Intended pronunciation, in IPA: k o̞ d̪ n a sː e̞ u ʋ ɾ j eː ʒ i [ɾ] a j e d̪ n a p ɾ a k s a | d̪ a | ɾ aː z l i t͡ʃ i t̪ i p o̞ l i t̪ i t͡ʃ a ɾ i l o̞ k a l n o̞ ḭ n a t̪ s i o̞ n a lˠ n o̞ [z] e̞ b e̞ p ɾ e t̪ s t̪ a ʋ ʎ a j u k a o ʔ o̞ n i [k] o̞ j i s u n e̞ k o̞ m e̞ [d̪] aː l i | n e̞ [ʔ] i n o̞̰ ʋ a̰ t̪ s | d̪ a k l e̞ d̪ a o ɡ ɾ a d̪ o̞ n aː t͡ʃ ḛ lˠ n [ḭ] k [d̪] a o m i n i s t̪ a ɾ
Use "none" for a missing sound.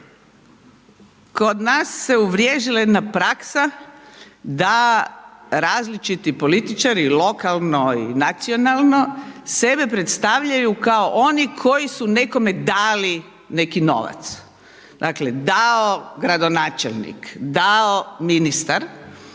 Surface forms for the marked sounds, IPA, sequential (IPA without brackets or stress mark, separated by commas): l, s, kʰ, d̪, k, ḭ, d̪